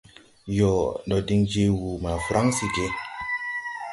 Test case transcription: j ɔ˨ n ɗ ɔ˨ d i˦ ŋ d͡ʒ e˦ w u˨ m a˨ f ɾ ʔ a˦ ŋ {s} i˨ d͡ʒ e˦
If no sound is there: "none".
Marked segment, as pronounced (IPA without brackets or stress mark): s